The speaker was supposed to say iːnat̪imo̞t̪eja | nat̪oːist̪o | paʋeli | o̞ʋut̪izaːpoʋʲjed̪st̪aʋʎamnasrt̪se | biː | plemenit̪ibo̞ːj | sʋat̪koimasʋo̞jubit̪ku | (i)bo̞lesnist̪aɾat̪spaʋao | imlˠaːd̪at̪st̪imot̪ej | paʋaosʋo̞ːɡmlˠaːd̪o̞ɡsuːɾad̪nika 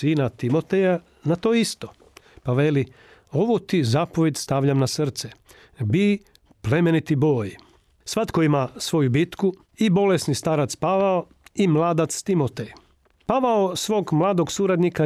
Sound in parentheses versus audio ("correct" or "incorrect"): correct